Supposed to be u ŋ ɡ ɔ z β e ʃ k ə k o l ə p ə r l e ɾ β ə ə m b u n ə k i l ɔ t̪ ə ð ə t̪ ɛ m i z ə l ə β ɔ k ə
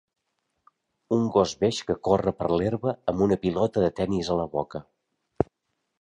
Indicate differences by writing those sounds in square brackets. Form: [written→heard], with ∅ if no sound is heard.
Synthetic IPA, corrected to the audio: u ŋ ɡ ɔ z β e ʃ k ə k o [l→r] ə p ə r l e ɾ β ə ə m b u n ə [k→p] i l ɔ t̪ ə ð ə t̪ ɛ [m→n] i z ə l ə β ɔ k ə